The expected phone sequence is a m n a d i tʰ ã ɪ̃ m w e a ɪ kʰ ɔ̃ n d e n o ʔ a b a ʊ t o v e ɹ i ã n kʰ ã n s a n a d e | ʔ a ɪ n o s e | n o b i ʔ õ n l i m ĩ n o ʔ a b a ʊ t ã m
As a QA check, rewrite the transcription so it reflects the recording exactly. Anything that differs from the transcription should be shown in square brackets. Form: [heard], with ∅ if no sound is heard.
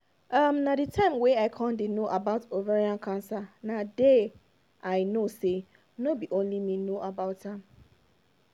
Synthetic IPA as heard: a m n a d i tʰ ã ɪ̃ m w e a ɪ kʰ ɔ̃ n d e n o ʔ a b a ʊ t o v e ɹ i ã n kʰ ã n s a n a d e | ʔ a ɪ n o s e | n o b i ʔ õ n l i m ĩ n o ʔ a b a ʊ t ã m

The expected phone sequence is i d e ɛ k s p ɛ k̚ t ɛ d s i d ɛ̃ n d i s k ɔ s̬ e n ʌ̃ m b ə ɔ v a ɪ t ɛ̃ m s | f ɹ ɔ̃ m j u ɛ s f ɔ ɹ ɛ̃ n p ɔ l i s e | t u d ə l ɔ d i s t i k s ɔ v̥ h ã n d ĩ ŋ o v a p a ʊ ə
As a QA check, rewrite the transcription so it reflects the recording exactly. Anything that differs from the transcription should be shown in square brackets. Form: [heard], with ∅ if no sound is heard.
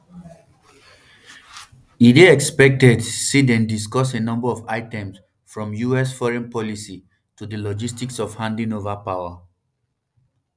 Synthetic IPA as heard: i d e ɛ k s p ɛ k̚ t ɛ d s i d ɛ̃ n d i s k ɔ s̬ e n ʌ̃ m b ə ɔ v a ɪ t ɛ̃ m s | f ɹ ɔ̃ m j u ɛ s f ɔ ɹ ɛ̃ n p ɔ l i s [i] | t u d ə l ɔ [d͡ʒ] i s t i k s ɔ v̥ h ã n d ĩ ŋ o v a p a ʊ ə

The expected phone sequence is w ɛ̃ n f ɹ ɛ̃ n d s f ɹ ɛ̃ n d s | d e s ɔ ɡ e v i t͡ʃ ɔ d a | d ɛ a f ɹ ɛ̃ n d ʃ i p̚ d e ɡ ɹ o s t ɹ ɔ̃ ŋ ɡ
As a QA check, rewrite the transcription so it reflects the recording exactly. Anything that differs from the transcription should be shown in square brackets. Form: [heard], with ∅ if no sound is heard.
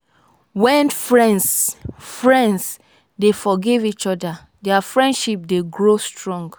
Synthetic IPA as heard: w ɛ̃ n f ɹ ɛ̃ n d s f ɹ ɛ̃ n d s | d e [f] ɔ ɡ e v i t͡ʃ ɔ d a | d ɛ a f ɹ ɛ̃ n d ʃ i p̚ d e ɡ ɹ o s t ɹ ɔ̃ ŋ ɡ

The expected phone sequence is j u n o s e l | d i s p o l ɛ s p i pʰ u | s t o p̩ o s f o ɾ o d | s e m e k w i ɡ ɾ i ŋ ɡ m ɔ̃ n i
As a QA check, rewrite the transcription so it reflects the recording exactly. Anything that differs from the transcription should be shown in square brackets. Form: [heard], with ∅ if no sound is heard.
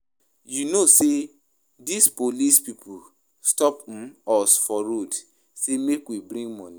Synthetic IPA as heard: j u n o s e [∅] | d i s p o l [i] s p i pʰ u | s t [ɔ] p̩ [ɔ] s f [ɔ] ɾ o d | s e m e k w i [b] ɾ [ĩ] ŋ ɡ m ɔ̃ n i

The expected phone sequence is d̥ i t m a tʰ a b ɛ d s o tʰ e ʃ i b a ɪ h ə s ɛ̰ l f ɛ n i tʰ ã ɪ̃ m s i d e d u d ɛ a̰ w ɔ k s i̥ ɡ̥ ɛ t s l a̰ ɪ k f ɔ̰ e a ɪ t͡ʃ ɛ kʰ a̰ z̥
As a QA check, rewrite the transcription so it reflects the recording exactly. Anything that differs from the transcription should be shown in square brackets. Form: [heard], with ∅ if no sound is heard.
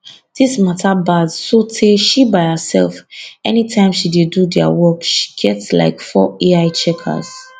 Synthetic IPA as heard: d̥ i [s] m a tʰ a b [a] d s o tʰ e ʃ i b a ɪ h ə s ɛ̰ l f ɛ n i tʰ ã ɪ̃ m [ʃ] i d e d u d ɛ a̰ w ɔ k [ʃ] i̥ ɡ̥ ɛ t s l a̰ ɪ k f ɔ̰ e a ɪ t͡ʃ ɛ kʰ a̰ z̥

